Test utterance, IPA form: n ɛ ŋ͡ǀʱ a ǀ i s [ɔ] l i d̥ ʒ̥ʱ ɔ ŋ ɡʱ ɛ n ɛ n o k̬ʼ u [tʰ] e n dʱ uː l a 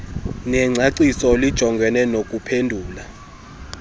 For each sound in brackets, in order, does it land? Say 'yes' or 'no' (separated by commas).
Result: yes, no